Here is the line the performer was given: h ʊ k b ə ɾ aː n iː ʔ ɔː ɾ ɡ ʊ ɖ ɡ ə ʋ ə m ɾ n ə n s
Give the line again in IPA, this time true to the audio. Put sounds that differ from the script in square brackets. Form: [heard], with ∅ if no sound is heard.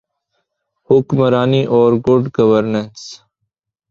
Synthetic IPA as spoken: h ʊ k [m] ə ɾ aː n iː ʔ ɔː ɾ ɡ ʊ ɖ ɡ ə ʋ ə [∅] ɾ n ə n s